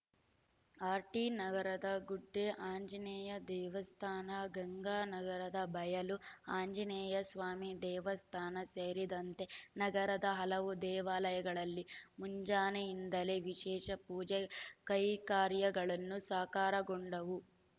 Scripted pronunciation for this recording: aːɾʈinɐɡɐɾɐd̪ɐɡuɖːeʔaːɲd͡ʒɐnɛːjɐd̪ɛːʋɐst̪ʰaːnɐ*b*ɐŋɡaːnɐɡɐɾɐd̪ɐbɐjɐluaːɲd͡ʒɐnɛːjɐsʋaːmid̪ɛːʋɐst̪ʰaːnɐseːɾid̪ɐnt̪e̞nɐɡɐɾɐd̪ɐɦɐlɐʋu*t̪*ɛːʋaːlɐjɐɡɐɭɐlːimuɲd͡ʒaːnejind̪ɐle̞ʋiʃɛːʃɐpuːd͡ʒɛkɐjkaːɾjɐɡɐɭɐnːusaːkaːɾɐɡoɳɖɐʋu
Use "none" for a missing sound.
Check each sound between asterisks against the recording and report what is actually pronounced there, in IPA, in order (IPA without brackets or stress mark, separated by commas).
ɡ, d̪